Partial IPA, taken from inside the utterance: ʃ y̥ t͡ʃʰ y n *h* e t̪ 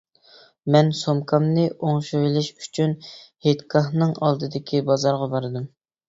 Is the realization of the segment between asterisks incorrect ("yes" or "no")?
no